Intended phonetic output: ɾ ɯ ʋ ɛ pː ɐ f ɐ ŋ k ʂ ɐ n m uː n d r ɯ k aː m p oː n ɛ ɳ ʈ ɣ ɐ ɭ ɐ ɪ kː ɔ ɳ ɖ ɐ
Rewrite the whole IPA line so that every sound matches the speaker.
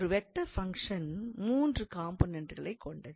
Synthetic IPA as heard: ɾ ɯ ʋ ɛ ʈː ɐ f ɐ ŋ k ʂ ɐ n m uː n d r ɯ k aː m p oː n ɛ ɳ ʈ ɣ ɐ ɭ ɐ ɪ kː ɔ ɳ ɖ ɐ